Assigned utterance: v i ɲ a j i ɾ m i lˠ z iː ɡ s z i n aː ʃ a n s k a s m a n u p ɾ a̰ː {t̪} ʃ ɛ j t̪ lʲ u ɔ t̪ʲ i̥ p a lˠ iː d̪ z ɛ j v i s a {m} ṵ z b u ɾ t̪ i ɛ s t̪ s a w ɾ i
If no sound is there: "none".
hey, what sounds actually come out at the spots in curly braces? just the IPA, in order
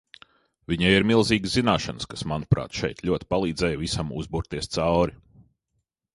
t̪, m

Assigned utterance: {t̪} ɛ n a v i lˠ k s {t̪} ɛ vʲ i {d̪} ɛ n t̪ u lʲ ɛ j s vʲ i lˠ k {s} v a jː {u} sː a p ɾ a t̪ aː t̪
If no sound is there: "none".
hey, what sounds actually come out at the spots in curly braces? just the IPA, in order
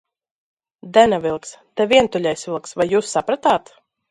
d̪, t̪, none, s, uː

